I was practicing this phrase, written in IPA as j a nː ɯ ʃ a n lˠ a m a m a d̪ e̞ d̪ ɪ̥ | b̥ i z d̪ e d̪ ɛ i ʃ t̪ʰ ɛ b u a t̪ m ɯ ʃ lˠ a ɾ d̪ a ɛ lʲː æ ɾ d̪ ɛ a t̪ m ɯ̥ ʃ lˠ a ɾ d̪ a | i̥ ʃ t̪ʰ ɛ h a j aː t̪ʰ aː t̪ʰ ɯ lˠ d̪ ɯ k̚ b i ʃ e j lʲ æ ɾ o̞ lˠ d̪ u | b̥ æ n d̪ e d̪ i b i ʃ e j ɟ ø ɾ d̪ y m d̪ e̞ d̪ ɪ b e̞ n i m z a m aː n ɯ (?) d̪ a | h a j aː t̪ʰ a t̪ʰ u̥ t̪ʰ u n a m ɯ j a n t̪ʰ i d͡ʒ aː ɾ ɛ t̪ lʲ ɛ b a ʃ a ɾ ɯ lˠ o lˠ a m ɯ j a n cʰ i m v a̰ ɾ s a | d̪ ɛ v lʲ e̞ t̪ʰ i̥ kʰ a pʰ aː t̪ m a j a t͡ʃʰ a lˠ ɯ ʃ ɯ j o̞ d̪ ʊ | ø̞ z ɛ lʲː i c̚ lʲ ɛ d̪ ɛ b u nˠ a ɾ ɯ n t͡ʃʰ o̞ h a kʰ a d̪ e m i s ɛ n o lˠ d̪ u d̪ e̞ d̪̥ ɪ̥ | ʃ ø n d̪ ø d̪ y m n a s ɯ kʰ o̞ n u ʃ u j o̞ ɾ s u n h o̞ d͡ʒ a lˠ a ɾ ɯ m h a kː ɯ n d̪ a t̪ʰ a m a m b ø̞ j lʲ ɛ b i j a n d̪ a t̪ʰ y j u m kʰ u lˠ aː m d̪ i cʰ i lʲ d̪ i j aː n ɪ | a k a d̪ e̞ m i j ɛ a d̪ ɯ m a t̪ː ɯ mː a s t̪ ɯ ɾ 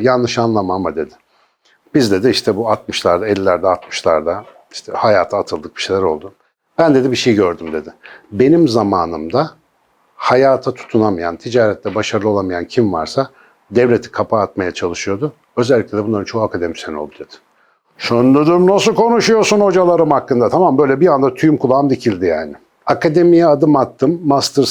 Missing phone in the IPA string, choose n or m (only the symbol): m